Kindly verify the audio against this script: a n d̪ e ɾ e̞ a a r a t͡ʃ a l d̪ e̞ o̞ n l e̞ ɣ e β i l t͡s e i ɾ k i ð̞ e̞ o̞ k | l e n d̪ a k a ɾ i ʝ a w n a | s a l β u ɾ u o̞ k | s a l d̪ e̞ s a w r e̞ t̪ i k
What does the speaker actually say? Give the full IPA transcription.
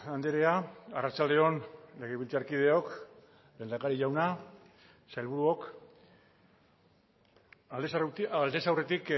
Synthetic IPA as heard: a n d̪ e ɾ e̞ a a r a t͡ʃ a l d̪ e̞ o̞ n l e̞ ɣ e β i l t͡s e a ɾ k i ð̞ e̞ o̞ k | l e n d̪ a k a ɾ i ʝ a w n a | s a l β u ɾ u o̞ k | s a l d̪ e̞ s a w r e̞ t̪ i k